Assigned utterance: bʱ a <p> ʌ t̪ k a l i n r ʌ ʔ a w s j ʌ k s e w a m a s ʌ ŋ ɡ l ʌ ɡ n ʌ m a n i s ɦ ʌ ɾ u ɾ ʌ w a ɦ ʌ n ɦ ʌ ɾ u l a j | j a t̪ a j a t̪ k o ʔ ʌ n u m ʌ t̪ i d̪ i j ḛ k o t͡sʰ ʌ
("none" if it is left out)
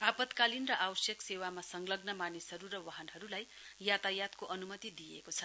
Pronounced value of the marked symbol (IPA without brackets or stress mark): p